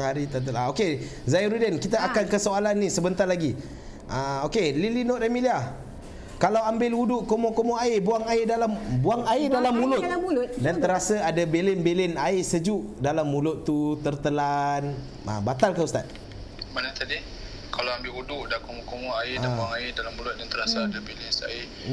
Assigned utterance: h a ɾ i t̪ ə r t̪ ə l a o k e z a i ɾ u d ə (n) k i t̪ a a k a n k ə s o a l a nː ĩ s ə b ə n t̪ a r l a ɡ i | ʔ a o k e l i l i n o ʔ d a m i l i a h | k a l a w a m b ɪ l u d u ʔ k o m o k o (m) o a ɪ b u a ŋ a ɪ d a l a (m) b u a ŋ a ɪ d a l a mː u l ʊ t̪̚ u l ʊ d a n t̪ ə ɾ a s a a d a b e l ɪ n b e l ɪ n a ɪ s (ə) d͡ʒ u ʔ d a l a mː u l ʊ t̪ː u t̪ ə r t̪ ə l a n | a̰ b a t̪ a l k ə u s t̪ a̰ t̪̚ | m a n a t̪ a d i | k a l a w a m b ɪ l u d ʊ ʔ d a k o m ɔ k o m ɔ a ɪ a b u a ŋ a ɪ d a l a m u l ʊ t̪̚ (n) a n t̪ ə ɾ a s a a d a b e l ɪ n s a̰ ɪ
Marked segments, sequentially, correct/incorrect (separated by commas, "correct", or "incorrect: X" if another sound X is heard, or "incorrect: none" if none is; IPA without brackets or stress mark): correct, correct, correct, correct, incorrect: d